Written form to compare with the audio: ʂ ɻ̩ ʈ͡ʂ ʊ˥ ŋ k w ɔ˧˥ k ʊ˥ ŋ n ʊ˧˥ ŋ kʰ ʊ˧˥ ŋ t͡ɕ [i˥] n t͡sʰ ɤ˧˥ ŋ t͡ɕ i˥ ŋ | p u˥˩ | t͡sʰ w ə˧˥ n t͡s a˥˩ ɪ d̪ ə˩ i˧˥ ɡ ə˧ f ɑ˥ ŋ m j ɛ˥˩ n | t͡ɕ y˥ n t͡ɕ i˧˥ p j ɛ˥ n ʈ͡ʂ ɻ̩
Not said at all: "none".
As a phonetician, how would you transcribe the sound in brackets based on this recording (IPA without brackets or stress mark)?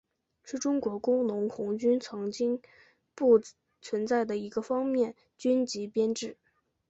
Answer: y˥